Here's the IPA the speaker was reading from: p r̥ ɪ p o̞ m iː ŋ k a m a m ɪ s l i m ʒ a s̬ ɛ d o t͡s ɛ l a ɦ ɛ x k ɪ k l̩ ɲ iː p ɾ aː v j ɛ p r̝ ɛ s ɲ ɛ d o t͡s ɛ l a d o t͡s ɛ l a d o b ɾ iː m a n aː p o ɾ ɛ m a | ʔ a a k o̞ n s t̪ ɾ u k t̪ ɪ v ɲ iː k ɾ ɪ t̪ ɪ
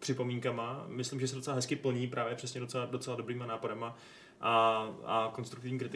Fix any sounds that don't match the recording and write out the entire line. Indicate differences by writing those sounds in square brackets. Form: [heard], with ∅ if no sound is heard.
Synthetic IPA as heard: p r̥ ɪ p o̞ m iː ŋ k a m a m ɪ s l i m ʒ [ɛ] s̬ ɛ d o t͡s ɛ l a ɦ ɛ [s] k ɪ [p] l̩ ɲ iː p ɾ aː v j ɛ p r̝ ɛ s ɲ ɛ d o t͡s ɛ l a d o t͡s ɛ l a d o b ɾ iː m a n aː p o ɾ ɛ m a | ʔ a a k o̞ n s t̪ ɾ u k t̪ ɪ v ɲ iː k ɾ ɪ t̪ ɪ